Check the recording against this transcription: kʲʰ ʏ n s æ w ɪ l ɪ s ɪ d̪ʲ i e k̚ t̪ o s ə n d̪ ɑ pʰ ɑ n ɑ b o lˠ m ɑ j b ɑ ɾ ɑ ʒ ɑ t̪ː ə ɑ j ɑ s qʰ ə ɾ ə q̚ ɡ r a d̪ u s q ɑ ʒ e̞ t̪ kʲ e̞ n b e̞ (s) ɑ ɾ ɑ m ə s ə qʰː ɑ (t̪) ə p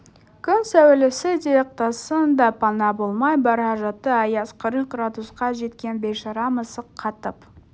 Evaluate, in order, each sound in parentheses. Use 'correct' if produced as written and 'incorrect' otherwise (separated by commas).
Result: incorrect, correct